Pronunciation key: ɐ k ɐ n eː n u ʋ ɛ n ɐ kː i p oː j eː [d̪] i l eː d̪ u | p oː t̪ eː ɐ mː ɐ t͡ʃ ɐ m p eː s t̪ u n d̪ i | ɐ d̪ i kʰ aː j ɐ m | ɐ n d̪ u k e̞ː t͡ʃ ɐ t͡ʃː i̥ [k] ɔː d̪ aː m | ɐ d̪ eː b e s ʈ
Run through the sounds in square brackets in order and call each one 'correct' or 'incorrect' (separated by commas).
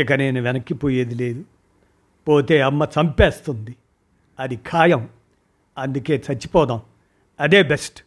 correct, incorrect